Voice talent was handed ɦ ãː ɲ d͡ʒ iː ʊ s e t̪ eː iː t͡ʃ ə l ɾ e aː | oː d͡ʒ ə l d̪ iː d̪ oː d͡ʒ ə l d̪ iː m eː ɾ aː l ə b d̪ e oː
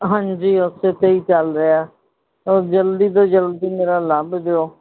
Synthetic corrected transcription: ɦ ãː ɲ d͡ʒ iː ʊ s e t̪ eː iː t͡ʃ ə l ɾ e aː | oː d͡ʒ ə l d̪ iː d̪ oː d͡ʒ ə l d̪ iː m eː ɾ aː l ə b d̪ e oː